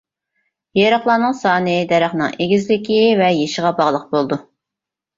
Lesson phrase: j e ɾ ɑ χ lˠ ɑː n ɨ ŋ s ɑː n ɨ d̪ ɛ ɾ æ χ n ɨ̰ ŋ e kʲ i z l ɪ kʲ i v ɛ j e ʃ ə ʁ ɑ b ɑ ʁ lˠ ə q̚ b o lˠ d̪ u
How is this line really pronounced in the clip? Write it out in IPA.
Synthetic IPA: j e ɾ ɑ χ lˠ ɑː n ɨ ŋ s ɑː n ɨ d̪ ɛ ɾ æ χ n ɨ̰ ŋ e ɡʲ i z l ɪ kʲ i v ɛ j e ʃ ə ʁ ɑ b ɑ ʁ lˠ ə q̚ b o lˠ d̪ u